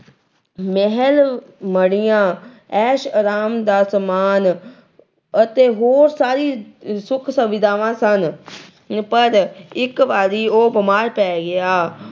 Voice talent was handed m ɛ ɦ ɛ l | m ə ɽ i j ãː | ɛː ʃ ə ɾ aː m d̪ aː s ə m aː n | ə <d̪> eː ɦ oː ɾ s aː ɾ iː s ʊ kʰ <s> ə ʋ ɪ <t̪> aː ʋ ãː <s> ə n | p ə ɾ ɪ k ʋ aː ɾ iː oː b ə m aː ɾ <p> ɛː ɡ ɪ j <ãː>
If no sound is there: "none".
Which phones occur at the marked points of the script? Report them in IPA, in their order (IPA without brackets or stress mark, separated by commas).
t̪, s, d̪, s, p, aː